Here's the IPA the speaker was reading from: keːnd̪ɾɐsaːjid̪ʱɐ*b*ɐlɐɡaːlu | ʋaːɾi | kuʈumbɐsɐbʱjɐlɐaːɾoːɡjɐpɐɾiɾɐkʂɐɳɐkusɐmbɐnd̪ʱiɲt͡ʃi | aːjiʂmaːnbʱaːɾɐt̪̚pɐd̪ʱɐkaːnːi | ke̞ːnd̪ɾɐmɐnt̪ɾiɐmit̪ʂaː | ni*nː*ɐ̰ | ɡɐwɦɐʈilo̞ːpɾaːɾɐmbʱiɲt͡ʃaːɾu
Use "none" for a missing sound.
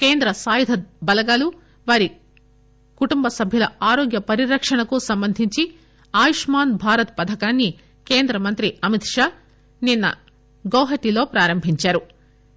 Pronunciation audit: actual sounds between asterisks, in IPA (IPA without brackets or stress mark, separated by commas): b, nː